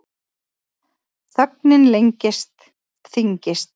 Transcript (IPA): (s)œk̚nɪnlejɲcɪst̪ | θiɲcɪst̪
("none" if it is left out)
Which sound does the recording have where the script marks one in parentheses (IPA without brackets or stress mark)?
θ